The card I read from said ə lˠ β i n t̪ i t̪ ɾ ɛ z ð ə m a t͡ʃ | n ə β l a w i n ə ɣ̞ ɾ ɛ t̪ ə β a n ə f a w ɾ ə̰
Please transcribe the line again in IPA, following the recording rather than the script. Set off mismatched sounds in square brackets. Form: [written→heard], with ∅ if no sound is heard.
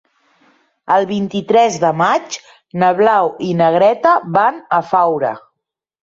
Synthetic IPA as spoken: ə lˠ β i n t̪ i t̪ ɾ ɛ z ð ə m a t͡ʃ | n ə β l a w i n ə ɣ̞ ɾ ɛ t̪ ə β a n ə f a w ɾ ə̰